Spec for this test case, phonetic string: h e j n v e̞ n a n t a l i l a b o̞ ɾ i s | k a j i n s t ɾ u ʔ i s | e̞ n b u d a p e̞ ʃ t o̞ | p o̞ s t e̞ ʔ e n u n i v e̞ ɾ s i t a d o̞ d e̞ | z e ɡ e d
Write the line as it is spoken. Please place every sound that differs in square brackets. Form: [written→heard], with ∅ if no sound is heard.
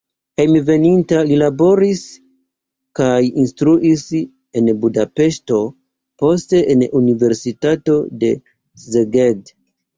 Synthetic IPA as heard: h e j [n→m] v e̞ n [a→i] n t a l i l a b o̞ ɾ i s | k a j i n s t ɾ u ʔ i s | e̞ n b u d a p e̞ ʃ t o̞ | p o̞ s t e̞ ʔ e n u n i v e̞ ɾ s i t a [d→t] o̞ d e̞ | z e ɡ e d